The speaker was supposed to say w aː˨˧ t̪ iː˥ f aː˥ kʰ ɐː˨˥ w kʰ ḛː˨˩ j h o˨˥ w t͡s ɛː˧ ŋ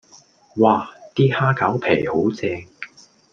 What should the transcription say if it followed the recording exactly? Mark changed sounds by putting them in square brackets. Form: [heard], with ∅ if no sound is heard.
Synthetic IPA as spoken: w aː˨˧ t̪ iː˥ [h] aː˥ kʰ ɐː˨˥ w [pʰ] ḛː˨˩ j h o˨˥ w t͡s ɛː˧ ŋ